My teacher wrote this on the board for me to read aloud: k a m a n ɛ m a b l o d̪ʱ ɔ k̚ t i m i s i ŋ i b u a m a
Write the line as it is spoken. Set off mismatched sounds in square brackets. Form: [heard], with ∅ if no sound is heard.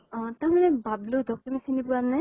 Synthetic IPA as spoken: [t] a m a n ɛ [b] a b l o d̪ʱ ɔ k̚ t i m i s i [n] i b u a [n] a